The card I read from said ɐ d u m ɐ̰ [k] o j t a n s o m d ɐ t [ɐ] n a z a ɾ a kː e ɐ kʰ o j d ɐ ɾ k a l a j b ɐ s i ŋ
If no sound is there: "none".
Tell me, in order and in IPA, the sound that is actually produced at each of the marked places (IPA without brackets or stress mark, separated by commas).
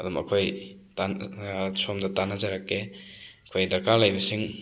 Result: kʰ, a